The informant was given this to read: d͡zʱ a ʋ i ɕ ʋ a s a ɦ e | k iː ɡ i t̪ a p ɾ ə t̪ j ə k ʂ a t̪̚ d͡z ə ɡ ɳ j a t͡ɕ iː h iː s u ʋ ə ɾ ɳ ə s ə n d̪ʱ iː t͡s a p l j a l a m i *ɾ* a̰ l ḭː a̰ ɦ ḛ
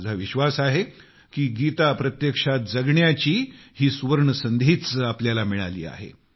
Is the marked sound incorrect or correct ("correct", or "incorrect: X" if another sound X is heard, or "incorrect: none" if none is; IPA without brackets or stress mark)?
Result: incorrect: ɭ